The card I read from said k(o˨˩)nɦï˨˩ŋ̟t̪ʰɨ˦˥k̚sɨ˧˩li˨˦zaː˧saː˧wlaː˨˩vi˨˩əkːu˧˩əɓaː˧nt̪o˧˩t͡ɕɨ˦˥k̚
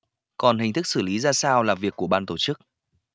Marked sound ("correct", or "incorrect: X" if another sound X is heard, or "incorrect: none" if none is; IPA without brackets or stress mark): incorrect: ɔ˨˩